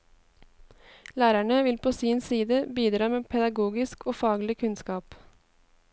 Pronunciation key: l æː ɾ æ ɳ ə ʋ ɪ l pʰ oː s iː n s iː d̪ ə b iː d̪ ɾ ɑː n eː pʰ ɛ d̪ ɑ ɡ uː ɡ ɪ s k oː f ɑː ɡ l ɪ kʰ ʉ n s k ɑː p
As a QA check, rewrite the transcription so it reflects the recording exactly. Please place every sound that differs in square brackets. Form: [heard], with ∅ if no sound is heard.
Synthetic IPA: l æː ɾ æ ɳ ə ʋ ɪ l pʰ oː s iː n s iː d̪ ə b iː d̪ ɾ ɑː [m] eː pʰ ɛ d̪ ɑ ɡ uː ɡ ɪ s k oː f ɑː ɡ l ɪ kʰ ʉ n s k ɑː p